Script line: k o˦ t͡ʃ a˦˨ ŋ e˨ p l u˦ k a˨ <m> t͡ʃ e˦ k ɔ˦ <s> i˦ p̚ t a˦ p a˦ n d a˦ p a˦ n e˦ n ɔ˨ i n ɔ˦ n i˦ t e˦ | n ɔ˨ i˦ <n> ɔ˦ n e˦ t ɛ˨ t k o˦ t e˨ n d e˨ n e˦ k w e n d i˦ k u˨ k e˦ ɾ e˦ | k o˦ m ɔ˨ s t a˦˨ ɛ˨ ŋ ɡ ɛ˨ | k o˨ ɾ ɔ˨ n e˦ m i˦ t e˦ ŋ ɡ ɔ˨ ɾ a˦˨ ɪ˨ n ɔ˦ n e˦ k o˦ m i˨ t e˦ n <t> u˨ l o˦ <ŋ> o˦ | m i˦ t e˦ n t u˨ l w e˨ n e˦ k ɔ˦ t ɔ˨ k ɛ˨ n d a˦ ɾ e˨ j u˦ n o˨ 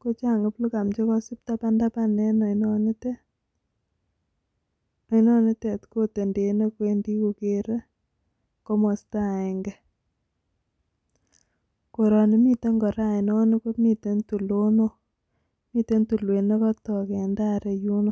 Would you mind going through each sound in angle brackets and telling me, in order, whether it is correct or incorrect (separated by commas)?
correct, correct, correct, correct, incorrect